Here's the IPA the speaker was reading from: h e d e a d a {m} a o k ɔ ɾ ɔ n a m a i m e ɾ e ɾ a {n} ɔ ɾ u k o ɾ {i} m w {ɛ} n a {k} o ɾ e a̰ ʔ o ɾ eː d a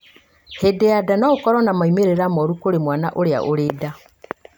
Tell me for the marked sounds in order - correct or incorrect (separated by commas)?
incorrect, incorrect, incorrect, incorrect, incorrect